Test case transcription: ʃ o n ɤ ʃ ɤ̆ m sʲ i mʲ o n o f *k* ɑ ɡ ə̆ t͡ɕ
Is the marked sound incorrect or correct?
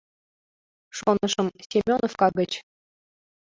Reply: correct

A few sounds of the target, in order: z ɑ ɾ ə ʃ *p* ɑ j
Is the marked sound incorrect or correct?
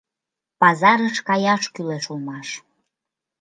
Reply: incorrect: k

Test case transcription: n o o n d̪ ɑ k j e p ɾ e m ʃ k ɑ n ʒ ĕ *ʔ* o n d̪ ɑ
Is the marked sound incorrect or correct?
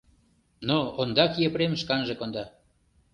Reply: incorrect: k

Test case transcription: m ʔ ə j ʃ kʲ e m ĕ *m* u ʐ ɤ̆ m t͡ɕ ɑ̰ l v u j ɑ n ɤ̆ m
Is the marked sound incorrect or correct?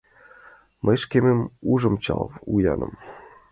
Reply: correct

